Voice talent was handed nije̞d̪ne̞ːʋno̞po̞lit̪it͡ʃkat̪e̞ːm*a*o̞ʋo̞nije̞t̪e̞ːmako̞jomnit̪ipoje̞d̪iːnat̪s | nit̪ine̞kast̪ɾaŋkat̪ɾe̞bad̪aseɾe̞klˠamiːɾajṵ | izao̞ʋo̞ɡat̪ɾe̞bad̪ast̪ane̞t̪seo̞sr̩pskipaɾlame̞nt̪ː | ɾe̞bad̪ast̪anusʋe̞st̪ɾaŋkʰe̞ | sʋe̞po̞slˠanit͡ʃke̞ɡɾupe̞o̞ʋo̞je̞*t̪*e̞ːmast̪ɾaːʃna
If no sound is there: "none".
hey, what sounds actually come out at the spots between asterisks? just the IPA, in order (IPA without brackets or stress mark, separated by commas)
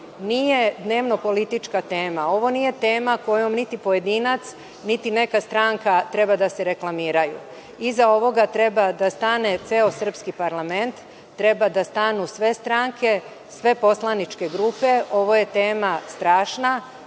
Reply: a, t̪